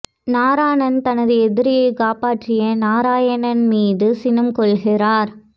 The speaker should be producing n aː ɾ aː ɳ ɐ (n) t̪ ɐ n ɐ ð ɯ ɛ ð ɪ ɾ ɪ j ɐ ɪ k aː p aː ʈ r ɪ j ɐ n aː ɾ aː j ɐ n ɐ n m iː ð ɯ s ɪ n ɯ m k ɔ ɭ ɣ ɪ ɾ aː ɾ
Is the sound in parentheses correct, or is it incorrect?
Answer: correct